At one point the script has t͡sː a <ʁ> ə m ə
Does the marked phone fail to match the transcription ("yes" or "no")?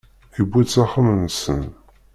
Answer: yes